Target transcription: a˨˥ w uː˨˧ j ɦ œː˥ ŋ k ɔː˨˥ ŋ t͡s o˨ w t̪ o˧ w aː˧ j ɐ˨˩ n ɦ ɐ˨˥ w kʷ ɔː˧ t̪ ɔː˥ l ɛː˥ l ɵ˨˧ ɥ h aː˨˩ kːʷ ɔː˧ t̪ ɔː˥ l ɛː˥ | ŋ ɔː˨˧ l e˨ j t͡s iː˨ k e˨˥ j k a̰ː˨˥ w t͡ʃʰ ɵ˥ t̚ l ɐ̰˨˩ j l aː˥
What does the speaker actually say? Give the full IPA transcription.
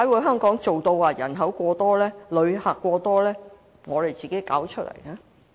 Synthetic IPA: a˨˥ w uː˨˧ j ɦ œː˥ ŋ k ɔː˨˥ ŋ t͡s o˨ w t̪ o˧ w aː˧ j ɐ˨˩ n ɦ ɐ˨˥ w kʷ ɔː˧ t̪ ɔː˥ l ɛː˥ l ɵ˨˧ ɥ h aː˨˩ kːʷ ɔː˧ t̪ ɔː˥ l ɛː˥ | ŋ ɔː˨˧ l e˨ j t͡s iː˨ k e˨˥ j k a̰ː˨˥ w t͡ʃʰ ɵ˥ t̚ l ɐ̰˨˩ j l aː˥

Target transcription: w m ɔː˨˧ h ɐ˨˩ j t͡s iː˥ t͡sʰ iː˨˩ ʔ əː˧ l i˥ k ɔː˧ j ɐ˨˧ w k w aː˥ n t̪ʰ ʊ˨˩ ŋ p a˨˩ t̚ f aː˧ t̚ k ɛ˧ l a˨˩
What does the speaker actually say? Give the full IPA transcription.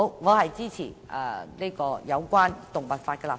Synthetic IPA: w ŋ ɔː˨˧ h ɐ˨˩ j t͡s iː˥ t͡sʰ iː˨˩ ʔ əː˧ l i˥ k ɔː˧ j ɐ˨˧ w k w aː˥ n t̪ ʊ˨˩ ŋ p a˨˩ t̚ f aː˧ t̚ k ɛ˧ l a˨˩

